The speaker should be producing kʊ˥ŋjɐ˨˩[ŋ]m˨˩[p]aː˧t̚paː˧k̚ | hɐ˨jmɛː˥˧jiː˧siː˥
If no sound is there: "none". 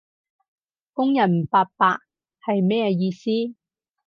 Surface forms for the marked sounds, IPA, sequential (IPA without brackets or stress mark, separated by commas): n, p